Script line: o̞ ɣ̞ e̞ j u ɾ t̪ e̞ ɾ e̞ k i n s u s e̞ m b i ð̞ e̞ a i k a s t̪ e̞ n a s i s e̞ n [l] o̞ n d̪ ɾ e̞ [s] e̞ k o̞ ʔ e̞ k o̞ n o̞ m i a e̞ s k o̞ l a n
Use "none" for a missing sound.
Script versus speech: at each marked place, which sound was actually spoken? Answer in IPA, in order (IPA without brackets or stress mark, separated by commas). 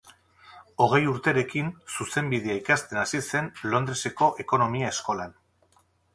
l, s